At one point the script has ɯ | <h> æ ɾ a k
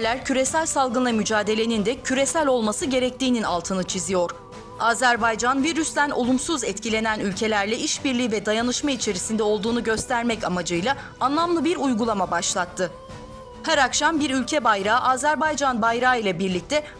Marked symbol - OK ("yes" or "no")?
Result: yes